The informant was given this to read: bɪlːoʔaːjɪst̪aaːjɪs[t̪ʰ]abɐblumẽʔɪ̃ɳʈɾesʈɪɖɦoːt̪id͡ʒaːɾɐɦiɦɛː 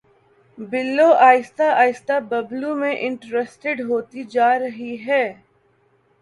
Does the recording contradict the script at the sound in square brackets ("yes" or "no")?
yes